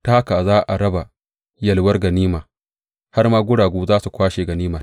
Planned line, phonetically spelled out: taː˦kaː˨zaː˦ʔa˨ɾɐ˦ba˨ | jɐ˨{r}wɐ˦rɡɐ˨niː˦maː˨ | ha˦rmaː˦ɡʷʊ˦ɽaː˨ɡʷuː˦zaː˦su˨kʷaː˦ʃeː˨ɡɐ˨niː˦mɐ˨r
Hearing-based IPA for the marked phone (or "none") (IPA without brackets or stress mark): l